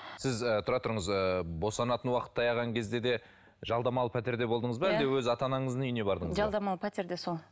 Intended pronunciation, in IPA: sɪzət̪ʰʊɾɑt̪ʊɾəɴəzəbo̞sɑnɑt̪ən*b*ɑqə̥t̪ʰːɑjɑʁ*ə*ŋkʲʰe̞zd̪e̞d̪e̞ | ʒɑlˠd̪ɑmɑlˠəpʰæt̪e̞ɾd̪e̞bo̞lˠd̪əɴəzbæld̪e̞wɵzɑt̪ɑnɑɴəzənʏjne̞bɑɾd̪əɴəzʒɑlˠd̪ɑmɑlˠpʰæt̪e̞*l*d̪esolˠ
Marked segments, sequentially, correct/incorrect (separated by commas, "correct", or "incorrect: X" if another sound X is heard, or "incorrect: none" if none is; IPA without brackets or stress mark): incorrect: w, incorrect: ɑ, incorrect: ɾ